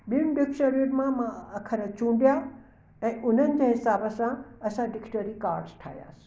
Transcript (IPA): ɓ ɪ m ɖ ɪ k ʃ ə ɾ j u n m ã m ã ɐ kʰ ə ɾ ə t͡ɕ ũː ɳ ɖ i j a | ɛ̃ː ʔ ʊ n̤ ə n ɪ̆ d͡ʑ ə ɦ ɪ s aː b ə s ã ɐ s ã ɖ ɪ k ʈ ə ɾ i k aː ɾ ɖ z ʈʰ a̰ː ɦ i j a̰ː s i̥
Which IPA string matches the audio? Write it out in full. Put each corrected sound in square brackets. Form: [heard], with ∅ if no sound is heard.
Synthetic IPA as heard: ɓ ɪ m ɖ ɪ k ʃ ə ɾ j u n m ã m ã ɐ kʰ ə ɾ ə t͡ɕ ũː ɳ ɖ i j a | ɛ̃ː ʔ ʊ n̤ ə n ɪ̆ d͡ʑ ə ɦ ɪ s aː b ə s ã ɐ s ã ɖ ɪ k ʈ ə ɾ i k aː ɾ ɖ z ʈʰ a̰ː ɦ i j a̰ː s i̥